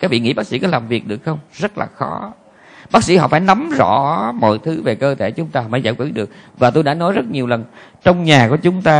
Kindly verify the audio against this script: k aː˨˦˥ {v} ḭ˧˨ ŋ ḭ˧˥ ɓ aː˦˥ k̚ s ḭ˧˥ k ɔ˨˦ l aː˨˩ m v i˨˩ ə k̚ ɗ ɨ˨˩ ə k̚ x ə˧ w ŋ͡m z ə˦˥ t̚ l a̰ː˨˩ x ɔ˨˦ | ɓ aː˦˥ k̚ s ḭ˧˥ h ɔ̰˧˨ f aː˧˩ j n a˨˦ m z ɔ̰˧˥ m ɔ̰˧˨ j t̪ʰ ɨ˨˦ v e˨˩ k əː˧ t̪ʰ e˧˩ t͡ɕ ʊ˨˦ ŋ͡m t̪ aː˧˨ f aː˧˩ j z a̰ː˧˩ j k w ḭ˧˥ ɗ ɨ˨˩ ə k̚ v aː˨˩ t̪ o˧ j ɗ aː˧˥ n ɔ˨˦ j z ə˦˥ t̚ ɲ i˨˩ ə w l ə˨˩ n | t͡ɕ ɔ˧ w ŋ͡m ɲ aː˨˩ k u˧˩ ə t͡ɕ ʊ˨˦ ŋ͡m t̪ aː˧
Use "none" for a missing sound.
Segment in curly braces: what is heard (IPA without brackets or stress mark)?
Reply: v